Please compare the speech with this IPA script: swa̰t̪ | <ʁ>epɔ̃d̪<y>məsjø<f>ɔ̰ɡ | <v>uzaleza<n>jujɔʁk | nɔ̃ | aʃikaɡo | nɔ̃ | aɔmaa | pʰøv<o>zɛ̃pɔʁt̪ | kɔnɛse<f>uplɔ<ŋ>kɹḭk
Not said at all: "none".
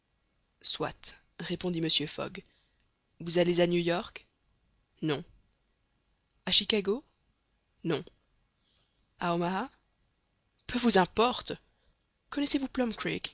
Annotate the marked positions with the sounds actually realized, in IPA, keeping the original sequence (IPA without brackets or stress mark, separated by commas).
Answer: ʁ, i, f, v, n, u, v, m